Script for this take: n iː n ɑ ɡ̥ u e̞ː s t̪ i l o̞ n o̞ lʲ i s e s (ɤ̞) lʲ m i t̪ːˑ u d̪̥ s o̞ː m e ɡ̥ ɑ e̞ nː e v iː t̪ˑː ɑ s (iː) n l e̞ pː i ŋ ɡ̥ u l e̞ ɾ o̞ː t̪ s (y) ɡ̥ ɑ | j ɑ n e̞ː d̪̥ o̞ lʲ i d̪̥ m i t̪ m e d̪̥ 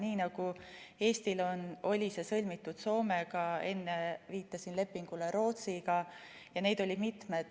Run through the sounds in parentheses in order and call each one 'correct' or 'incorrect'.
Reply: correct, incorrect: i, incorrect: i

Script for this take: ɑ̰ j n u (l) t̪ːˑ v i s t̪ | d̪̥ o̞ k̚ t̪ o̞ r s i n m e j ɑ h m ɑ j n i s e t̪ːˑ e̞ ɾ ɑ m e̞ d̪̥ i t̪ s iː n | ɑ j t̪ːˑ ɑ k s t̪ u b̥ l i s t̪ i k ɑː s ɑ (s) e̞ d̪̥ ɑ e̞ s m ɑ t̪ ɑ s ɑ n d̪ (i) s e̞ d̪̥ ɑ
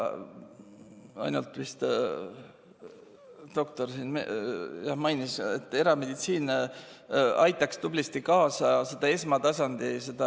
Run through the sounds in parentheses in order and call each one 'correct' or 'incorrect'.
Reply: correct, correct, correct

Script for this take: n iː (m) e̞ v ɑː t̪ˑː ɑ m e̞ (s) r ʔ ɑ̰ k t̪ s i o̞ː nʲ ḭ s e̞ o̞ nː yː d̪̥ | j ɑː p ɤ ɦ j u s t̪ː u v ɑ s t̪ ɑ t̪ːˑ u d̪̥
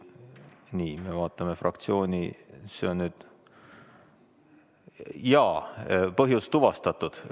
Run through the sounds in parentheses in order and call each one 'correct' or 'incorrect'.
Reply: correct, incorrect: f

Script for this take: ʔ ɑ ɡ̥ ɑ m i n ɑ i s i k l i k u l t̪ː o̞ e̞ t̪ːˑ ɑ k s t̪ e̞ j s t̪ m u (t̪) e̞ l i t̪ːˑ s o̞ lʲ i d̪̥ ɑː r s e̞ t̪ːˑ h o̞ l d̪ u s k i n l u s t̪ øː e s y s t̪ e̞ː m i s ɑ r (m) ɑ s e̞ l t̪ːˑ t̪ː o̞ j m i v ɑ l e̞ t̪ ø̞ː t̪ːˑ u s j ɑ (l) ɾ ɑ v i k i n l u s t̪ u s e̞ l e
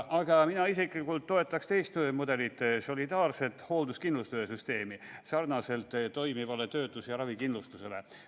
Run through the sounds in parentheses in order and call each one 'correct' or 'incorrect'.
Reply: incorrect: d̪, incorrect: n, incorrect: none

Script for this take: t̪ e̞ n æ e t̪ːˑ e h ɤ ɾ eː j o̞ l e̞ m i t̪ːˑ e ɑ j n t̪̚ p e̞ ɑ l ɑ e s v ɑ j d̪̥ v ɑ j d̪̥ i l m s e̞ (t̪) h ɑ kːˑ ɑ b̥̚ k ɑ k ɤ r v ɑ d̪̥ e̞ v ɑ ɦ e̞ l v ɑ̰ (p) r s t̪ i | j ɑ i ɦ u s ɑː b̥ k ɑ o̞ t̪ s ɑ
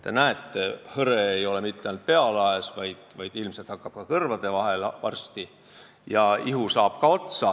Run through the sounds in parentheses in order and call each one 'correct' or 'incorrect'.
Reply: correct, incorrect: none

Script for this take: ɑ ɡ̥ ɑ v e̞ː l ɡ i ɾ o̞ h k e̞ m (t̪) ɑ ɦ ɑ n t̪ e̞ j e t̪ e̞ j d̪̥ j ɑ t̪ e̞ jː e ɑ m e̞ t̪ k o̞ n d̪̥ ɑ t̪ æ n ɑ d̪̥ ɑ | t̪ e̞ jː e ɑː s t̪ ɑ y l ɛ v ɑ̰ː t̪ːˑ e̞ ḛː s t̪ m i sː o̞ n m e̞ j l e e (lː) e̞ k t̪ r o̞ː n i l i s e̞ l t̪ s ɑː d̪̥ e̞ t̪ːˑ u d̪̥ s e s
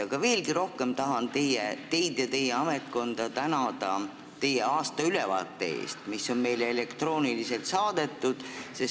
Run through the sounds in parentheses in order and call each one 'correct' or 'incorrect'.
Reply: correct, incorrect: l

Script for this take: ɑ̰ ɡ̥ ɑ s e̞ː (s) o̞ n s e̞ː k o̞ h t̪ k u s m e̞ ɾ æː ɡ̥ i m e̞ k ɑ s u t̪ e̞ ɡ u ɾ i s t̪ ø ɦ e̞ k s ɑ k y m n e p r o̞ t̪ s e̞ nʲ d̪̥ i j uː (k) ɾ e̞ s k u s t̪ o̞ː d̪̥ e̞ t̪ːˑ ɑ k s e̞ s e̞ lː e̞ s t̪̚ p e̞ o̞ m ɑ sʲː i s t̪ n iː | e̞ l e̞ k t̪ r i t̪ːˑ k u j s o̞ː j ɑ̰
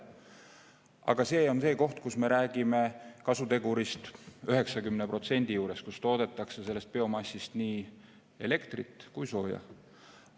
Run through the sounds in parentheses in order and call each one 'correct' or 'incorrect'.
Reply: incorrect: none, incorrect: none

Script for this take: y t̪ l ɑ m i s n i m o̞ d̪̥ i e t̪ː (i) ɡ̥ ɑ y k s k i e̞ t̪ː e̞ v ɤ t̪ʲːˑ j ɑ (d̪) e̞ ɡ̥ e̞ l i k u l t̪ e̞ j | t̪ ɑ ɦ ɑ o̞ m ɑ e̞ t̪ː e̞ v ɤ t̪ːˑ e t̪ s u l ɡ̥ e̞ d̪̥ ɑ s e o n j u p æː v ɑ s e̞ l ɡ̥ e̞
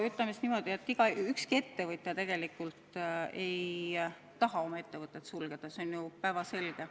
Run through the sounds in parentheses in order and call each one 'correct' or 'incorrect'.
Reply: correct, incorrect: t̪

